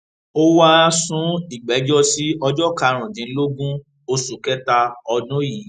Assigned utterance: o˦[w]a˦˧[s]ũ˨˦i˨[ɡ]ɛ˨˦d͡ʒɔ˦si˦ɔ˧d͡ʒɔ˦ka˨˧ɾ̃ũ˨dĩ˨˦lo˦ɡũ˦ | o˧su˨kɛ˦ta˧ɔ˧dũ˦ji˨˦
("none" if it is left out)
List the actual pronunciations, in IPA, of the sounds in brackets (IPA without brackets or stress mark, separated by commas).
w, s, ɡ͡b